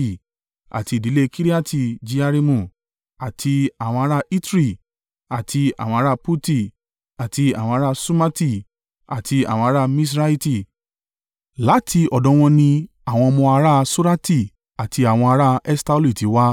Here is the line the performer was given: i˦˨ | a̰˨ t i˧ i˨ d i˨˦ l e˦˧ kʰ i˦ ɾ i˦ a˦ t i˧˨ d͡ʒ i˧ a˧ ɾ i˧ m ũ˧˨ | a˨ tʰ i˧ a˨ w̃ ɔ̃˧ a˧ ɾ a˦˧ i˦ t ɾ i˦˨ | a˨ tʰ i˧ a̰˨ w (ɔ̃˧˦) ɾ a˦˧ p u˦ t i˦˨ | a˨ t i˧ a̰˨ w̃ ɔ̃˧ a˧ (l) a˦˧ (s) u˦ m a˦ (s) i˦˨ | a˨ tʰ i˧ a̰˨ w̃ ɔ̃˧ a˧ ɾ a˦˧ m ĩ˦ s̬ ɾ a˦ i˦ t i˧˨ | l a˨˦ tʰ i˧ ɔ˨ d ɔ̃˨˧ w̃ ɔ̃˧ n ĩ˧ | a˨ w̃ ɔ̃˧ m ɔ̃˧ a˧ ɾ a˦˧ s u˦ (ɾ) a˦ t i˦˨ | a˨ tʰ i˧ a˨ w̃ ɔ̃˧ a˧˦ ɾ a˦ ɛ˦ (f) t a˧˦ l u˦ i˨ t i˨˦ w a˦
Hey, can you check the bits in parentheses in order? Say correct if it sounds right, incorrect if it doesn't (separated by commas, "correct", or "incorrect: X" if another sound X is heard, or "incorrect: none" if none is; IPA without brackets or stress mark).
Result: correct, incorrect: ɾ, correct, incorrect: t, correct, incorrect: s